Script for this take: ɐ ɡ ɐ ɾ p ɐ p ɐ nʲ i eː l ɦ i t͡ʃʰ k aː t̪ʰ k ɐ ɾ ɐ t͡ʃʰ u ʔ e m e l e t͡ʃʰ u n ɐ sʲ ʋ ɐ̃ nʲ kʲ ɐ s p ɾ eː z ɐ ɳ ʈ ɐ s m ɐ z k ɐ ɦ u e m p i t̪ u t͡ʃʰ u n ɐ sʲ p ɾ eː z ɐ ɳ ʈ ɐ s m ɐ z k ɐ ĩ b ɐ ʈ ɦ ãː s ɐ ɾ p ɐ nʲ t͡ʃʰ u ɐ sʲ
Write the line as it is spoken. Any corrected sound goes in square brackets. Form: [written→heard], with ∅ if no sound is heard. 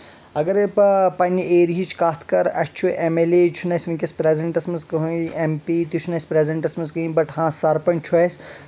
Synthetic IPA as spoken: ɐ ɡ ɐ ɾ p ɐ p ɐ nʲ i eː [l→ɾ] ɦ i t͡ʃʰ k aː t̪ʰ k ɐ ɾ ɐ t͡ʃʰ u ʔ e m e l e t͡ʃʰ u n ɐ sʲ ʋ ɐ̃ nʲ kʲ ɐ s p ɾ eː z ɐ ɳ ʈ ɐ s m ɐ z k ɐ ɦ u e m p i t̪ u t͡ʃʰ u n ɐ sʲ p ɾ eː z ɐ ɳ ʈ ɐ s m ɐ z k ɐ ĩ b ɐ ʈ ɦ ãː s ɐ ɾ p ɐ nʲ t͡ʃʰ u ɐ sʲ